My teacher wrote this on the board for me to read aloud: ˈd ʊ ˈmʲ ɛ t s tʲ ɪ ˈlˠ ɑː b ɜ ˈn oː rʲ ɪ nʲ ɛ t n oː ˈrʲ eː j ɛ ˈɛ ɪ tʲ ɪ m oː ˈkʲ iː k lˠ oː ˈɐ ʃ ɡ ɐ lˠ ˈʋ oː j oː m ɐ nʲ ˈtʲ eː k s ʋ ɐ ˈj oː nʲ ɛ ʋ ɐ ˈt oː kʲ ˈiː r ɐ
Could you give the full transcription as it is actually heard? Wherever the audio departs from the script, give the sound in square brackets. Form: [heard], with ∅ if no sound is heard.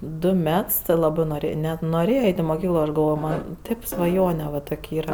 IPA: ˈd ʊ ˈmʲ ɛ t s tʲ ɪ ˈlˠ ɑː b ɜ ˈn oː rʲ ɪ nʲ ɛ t n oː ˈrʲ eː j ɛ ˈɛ ɪ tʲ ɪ m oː ˈkʲ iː k lˠ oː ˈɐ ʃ ɡ ɐ lˠ ˈʋ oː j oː m ɐ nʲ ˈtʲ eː [p] s ʋ ɐ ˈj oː nʲ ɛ ʋ ɐ ˈt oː kʲ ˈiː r ɐ